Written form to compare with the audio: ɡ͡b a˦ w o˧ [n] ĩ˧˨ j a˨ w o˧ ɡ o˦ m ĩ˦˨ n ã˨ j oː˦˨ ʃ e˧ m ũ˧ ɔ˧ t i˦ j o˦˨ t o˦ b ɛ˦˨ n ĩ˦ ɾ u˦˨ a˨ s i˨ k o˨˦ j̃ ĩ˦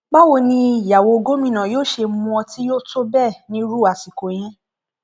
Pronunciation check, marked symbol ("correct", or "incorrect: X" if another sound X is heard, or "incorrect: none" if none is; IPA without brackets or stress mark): correct